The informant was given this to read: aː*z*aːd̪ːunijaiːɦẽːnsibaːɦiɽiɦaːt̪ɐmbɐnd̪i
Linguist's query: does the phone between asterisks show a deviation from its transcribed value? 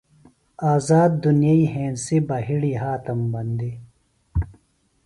no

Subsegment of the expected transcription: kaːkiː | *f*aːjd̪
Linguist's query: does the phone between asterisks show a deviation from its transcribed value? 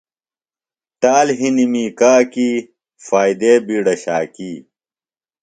no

